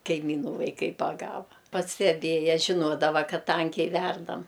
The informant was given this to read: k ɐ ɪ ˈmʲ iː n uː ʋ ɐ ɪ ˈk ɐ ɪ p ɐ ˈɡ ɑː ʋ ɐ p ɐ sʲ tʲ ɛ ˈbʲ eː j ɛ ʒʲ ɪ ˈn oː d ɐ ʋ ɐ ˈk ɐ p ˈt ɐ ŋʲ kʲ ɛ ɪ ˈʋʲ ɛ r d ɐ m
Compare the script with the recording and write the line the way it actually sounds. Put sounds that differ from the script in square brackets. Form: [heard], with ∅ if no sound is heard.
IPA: k ɐ ɪ ˈmʲ iː n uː ʋ ɐ ɪ ˈk ɐ ɪ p ɐ ˈɡ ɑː ʋ ɐ p ɐ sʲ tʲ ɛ ˈbʲ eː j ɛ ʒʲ ɪ ˈn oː d ɐ ʋ ɐ ˈk ɐ [t] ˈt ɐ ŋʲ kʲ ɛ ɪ ˈʋʲ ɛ r d ɐ m